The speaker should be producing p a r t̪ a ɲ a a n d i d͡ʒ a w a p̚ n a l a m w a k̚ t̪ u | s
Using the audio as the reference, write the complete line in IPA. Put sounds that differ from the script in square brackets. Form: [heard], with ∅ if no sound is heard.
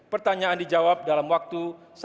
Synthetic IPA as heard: p [ə] r t̪ a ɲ a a n d i d͡ʒ a w a p̚ [d] a l a m w a k̚ t̪ u | s